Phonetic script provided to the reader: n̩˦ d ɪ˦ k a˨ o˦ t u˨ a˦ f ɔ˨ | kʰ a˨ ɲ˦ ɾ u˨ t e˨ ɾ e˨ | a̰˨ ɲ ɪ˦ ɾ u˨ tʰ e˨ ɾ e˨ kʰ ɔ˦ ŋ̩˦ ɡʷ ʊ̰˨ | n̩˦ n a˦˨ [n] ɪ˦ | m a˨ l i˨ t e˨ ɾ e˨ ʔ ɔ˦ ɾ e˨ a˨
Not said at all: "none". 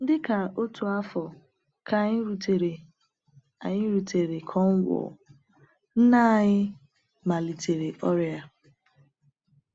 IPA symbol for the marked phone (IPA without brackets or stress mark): ɲ